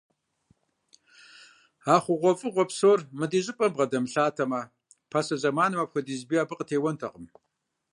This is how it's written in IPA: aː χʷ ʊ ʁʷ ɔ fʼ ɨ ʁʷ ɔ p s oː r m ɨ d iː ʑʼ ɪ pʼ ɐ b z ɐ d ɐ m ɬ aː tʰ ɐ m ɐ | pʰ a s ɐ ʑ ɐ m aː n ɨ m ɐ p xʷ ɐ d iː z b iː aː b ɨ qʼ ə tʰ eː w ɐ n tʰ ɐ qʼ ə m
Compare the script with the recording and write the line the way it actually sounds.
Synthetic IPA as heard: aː χʷ ʊ ʁʷ ɔ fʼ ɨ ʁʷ ɔ p s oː r m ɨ d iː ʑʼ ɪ pʼ ɐ b ʁ ɐ d ɐ m ɬ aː tʰ ɐ m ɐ | pʰ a s ɐ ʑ ɐ m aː n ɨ m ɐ p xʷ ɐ d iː z b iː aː b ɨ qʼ ə tʰ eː w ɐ n tʰ ɐ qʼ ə m